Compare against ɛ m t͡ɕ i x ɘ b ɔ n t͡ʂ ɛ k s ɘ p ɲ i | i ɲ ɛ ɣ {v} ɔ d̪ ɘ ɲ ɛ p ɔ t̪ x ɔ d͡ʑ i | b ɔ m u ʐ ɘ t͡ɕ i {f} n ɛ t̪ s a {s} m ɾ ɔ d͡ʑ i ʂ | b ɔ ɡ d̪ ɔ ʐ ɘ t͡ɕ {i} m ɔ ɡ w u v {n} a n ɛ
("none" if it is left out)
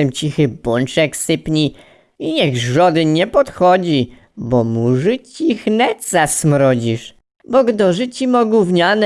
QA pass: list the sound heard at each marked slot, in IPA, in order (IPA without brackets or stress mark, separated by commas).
ʐ, x, s, i, ɲ